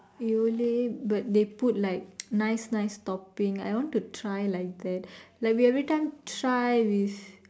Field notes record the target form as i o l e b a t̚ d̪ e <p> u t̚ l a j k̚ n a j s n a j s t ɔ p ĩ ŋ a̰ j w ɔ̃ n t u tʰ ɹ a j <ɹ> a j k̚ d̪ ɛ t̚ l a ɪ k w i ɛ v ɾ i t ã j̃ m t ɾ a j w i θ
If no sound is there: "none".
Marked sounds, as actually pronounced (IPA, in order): p, l

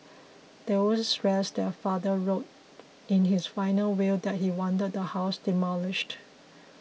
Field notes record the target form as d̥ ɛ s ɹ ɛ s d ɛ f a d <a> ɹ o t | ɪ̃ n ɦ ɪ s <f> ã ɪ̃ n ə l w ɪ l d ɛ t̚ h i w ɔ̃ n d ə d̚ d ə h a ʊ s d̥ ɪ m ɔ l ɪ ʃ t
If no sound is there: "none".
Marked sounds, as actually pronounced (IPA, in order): ə, f

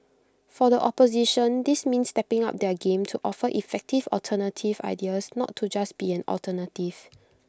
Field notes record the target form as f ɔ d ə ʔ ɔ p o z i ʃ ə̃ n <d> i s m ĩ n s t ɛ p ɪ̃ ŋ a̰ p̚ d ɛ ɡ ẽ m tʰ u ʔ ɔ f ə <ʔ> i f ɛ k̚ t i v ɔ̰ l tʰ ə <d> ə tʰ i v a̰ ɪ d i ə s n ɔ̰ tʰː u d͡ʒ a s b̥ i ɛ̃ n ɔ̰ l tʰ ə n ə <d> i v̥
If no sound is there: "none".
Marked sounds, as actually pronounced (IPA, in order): d, ʔ, n, t

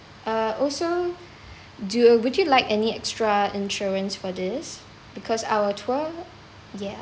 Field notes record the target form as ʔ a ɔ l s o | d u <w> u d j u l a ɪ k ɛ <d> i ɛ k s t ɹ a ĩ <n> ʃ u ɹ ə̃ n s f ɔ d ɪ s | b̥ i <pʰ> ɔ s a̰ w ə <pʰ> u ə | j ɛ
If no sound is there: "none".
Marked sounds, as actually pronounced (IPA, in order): w, n, n, kʰ, tʰ

